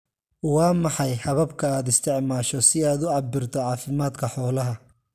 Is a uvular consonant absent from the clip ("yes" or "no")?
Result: yes